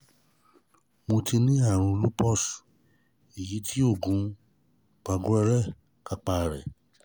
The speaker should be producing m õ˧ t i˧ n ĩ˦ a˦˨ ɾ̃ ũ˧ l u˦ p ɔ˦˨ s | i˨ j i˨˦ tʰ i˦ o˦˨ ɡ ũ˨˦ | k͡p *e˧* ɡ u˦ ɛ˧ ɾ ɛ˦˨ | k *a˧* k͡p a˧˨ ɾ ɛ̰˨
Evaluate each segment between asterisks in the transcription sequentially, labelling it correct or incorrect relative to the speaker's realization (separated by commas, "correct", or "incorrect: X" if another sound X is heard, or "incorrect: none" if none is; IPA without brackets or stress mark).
incorrect: a˧, correct